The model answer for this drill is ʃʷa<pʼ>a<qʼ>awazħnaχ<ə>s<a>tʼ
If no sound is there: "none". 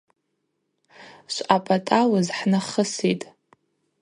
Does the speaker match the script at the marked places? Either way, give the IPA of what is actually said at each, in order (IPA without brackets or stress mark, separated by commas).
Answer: pʼ, tʼ, ə, i